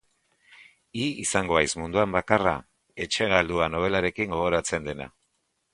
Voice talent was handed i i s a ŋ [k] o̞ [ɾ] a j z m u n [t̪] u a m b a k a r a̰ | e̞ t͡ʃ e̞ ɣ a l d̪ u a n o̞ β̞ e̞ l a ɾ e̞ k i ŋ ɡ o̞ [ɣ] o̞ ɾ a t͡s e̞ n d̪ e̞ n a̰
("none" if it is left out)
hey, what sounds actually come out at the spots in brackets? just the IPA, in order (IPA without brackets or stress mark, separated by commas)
ɡ, none, d̪, ɣ